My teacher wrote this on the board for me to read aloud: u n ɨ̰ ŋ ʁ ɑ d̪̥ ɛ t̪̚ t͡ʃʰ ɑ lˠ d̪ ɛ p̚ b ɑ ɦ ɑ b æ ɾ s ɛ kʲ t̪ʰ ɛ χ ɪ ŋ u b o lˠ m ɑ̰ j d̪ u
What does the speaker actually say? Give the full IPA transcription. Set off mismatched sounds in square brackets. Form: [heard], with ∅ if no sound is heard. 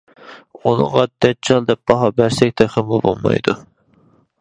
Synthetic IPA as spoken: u n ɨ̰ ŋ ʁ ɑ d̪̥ ɛ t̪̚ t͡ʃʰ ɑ lˠ d̪ ɛ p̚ b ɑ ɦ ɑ b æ ɾ s ɛ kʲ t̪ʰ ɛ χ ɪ [m] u b o lˠ m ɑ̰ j d̪ u